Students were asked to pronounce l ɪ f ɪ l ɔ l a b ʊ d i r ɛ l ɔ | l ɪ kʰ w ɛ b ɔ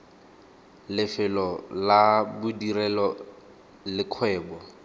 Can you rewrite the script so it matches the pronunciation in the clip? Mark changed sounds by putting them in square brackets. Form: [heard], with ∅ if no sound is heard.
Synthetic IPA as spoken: l ɪ f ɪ l ɔ l a b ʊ d i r ɛ l ɔ | l ɪ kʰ w [ɛː] b ɔ